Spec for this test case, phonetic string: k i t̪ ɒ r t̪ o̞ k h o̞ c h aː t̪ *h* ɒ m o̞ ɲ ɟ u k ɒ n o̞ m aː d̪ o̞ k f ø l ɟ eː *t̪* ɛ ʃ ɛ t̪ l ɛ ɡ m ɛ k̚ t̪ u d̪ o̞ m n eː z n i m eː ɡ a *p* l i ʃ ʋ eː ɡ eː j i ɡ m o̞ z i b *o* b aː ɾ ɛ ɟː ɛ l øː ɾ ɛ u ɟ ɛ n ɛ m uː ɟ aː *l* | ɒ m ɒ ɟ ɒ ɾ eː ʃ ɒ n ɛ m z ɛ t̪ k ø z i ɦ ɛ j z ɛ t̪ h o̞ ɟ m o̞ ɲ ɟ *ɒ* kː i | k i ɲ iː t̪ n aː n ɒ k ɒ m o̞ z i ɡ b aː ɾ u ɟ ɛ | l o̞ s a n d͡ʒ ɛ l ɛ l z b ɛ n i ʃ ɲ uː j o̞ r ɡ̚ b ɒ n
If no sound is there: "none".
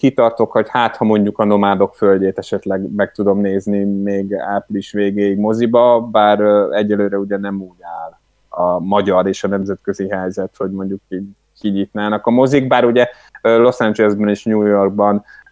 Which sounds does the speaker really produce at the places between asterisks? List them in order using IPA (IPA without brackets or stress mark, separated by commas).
h, t̪, p, ɒ, l, u